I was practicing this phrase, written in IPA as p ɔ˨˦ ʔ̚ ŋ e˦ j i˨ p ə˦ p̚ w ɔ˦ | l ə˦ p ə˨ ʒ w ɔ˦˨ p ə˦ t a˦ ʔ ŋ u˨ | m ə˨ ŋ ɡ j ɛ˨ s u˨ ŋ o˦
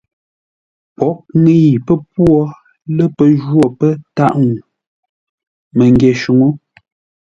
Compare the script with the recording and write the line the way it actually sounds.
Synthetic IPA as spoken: p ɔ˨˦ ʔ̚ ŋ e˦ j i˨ p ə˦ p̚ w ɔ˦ | l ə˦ p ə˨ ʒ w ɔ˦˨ p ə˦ t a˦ ʔ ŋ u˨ | m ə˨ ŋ ɡ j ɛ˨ ʃ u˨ ŋ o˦